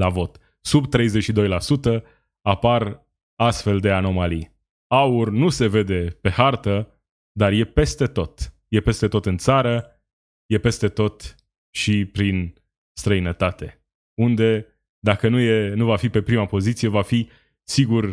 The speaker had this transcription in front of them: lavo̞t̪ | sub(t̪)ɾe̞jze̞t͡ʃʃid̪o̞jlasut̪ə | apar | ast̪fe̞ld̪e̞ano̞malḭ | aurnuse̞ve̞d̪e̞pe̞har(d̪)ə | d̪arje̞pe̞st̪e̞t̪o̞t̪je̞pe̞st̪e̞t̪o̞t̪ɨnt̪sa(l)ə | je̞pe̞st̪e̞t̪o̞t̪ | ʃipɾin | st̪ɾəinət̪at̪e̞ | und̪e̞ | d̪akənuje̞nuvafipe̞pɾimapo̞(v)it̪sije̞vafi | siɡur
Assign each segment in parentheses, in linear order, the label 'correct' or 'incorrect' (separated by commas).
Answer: correct, incorrect, incorrect, incorrect